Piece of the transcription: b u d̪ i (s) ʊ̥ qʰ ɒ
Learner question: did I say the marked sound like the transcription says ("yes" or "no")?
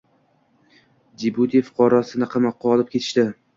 no